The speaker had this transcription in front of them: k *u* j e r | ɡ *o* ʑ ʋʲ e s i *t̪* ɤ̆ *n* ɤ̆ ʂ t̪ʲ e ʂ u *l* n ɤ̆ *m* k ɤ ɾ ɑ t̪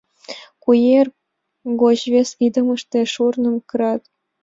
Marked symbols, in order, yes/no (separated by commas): yes, yes, no, no, no, yes